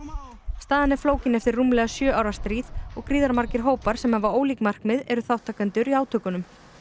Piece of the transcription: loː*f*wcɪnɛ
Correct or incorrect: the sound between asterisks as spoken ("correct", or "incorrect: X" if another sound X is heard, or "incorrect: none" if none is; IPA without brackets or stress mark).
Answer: incorrect: none